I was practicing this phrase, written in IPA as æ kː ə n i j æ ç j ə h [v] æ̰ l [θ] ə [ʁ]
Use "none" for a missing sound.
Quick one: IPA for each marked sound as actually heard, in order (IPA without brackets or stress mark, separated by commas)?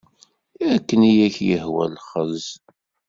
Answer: w, χ, z